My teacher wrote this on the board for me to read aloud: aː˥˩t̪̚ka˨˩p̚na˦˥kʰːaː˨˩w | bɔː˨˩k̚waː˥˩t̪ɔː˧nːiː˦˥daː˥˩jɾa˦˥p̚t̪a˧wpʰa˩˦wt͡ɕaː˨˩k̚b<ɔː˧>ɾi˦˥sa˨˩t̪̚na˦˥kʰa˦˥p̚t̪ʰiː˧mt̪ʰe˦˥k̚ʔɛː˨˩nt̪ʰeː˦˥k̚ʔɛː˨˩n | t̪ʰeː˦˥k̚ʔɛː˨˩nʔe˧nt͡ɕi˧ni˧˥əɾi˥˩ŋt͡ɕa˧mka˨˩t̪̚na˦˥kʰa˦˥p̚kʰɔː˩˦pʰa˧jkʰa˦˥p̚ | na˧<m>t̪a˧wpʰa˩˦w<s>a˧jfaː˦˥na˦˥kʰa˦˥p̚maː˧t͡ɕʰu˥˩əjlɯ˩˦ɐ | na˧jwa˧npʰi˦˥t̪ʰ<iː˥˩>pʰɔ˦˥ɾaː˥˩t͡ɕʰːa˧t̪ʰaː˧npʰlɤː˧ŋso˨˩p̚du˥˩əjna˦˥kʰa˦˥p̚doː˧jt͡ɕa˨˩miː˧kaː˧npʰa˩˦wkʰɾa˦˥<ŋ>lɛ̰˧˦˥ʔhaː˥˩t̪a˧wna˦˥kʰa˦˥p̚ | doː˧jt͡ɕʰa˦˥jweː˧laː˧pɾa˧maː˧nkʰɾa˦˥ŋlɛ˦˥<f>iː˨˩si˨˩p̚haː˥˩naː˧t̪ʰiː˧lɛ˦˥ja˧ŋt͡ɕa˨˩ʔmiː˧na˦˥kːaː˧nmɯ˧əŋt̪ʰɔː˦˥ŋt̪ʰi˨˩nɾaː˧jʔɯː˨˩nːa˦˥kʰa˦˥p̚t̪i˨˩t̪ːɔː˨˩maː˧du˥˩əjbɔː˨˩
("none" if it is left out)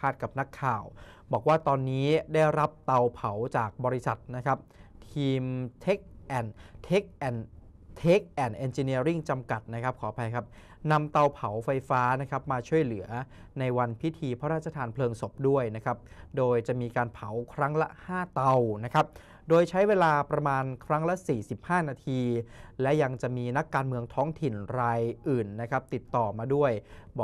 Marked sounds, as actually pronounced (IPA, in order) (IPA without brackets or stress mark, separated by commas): ɔː˧, m, f, iː˧, ŋ, s